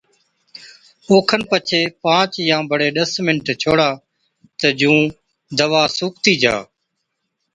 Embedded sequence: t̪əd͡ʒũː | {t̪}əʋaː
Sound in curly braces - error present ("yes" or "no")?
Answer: yes